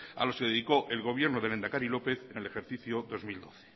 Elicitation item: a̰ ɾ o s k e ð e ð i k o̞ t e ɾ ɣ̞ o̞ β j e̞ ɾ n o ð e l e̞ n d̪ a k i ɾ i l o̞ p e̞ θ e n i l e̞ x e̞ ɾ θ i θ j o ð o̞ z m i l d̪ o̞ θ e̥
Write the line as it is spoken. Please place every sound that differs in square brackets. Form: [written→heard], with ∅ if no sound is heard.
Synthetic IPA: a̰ [ɾ→l] o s k e ð e ð i k o̞ [t→ʔ] e [ɾ→l] ɣ̞ o̞ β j e̞ ɾ n o ð e l e̞ n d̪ a k [i→a] ɾ i l o̞ p e̞ θ e n [i→e] l e̞ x e̞ ɾ θ i θ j o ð o̞ z m i l d̪ o̞ θ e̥